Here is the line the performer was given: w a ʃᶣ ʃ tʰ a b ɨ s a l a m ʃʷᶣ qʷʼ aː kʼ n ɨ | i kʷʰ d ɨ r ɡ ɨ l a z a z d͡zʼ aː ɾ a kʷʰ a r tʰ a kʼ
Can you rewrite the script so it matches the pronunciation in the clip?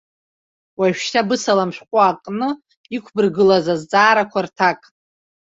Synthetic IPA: w a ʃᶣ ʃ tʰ a b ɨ s a l a m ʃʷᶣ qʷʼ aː kʼ n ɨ | i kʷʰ b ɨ r ɡ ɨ l a z a z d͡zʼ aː ɾ a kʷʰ a r tʰ a kʼ